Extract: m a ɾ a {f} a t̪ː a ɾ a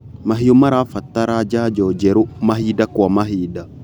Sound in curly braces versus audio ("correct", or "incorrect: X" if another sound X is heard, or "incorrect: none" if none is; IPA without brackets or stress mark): correct